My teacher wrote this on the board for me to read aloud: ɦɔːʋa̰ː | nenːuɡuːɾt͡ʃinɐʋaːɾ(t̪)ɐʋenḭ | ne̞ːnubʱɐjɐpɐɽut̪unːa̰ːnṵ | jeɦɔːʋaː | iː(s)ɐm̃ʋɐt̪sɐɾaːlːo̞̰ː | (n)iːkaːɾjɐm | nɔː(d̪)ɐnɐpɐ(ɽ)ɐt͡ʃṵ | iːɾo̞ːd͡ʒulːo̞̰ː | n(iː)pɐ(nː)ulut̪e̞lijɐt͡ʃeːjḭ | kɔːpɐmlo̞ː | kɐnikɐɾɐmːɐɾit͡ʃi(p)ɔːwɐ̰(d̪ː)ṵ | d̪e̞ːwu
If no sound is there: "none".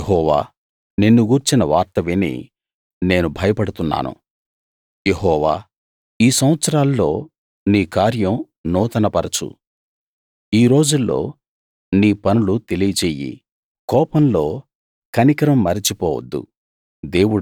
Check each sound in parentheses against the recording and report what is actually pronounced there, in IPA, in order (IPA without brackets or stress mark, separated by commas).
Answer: t̪, s, n, t̪, ɾ, iː, n, p, d̪ː